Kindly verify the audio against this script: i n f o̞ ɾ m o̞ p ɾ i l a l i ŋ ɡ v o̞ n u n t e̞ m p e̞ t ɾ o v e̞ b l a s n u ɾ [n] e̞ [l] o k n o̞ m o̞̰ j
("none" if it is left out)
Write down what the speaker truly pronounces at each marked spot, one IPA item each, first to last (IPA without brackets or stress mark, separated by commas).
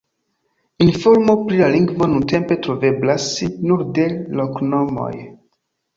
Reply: d, l